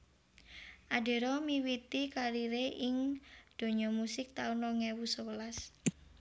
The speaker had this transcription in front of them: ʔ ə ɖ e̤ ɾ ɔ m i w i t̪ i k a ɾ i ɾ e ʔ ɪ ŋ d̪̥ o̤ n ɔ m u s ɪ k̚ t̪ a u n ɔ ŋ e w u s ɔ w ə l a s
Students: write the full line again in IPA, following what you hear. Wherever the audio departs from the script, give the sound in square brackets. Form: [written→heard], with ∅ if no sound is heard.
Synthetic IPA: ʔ [ə→a] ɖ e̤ ɾ ɔ m i w i t̪ i k a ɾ i ɾ e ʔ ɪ ŋ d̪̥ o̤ [n→ɲ] ɔ m u s ɪ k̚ t̪ a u n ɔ ŋ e w u s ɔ w ə l a s